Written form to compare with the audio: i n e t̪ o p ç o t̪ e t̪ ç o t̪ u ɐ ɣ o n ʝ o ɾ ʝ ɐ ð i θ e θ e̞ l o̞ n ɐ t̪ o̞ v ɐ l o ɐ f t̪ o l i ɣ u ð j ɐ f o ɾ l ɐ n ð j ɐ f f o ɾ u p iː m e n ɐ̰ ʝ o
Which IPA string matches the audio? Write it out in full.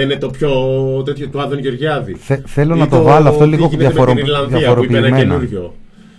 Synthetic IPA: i n e t̪ o p ç o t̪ e t̪ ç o t̪ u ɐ ð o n ʝ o ɾ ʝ ɐ ð i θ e θ e̞ l o̞ n ɐ t̪ o̞ v ɐ l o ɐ f t̪ o l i ɣ o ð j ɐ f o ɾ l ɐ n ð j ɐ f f o ɾ o p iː m e n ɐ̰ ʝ o